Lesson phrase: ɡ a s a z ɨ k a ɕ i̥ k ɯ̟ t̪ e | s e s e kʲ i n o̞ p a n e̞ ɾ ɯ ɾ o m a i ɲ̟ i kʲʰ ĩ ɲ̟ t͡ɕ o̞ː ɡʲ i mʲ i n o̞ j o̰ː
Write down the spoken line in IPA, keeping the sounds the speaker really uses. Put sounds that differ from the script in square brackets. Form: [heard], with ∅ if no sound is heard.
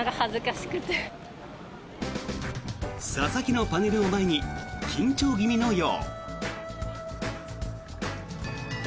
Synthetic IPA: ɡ a [h] a z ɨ k a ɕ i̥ k ɯ̟ t̪ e | s [a] s [a] kʲ i n o̞ p a n e̞ ɾ ɯ [∅] o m a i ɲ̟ i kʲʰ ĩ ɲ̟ t͡ɕ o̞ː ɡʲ i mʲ i n o̞ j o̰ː